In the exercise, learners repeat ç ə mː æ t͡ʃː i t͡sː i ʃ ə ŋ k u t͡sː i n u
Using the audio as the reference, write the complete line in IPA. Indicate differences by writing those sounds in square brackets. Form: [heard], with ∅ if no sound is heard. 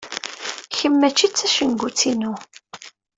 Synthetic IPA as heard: ç ə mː æ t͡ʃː i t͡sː [æ] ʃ ə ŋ [ɡ] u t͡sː i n u

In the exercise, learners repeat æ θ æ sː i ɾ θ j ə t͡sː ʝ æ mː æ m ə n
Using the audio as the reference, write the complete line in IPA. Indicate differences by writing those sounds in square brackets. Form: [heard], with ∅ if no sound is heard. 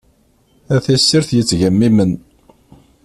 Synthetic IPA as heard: æ θ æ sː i ɾ θ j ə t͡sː ʝ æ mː [i] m ə n

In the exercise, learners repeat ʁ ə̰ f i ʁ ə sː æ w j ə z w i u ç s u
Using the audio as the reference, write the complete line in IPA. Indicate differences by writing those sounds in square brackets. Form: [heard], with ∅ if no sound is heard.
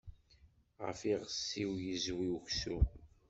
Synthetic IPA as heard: ʁ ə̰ f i ʁ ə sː [i] w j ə z w i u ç s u

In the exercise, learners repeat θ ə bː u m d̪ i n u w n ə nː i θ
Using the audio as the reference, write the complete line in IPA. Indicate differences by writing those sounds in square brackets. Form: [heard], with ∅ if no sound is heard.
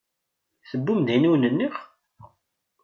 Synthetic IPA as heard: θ ə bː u m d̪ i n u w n ə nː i [χ]

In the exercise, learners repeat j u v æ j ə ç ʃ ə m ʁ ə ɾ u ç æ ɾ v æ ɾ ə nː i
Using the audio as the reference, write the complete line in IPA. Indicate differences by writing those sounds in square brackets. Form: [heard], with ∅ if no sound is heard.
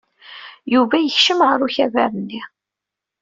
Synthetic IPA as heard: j u v æ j ə ç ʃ ə m ʁ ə ɾ u ç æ [∅] v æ ɾ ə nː i

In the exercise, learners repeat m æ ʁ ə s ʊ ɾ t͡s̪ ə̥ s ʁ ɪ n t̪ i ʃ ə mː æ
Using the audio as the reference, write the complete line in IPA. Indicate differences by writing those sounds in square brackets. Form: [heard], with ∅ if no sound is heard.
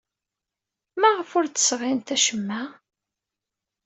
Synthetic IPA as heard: m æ ʁ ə [f] ʊ ɾ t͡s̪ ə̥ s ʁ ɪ n t̪ [æ] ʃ ə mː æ

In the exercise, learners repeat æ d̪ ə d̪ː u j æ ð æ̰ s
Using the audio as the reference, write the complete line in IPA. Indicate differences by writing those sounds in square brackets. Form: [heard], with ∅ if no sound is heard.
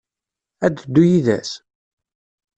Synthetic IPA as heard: æ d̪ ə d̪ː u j [i] ð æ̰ s

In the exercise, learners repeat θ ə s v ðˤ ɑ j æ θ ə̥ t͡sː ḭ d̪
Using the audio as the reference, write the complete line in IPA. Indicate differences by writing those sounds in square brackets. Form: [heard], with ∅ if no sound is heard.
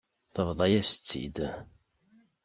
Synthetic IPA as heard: θ ə [∅] v ðˤ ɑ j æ [s] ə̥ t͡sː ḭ d̪

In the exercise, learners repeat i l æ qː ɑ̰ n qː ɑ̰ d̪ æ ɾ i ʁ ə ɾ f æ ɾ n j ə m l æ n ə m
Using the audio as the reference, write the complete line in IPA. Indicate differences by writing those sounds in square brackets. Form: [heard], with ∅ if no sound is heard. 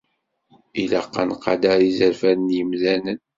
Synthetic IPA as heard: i l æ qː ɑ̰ n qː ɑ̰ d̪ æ ɾ i [z] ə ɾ f æ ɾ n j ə m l æ n ə [n]

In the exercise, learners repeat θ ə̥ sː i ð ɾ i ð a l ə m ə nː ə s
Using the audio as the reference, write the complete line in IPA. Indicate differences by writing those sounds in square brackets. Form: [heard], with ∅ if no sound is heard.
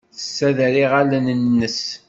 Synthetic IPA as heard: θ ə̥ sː [æ] ð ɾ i [ʁ] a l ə [n] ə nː ə s

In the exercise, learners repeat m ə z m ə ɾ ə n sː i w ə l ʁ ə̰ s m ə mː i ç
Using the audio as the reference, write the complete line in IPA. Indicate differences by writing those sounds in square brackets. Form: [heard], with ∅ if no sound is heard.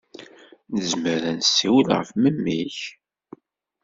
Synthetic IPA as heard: [n] ə z m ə ɾ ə n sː i w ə l ʁ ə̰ [f] m ə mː i ç

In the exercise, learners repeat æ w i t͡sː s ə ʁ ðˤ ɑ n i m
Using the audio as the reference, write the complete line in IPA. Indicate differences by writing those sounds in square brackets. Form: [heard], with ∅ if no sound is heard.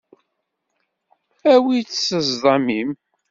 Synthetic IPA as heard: æ w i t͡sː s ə [z] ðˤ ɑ [m] i m

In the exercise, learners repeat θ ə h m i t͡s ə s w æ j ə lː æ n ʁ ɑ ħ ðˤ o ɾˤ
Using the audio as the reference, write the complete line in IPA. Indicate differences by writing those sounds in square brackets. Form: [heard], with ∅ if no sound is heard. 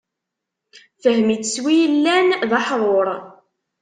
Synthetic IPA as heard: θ ə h m i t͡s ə s w [i] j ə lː æ n [ð] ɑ ħ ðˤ o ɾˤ

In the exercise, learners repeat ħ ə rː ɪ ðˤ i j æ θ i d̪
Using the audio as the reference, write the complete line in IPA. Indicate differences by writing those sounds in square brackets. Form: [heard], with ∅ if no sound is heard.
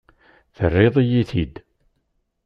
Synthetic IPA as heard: [θ] ə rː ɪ ðˤ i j [i] θ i d̪

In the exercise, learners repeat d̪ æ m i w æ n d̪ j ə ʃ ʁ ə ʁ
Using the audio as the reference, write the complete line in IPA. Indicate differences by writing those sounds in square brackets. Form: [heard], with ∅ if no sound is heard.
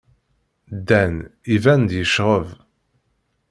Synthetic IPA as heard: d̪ æ [n] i [v] æ n d̪ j ə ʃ ʁ ə [v]

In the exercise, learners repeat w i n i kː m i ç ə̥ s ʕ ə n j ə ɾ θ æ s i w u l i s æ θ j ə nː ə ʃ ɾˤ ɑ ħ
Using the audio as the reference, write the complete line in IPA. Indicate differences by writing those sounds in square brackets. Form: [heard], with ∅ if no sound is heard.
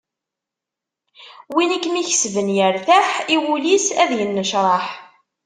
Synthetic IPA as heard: w i n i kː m i ç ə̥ s [v] ə n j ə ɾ θ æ [ħ] i w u l i s æ [ð] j ə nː ə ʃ ɾˤ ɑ ħ

